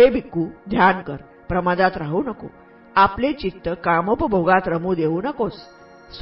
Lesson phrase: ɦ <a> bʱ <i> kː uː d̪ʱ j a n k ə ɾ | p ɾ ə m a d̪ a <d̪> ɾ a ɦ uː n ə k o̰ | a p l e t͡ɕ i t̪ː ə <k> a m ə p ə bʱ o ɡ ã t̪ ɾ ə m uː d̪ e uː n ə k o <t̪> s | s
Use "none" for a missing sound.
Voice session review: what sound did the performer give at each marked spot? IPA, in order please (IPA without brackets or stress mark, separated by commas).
e, i, t̪, k, none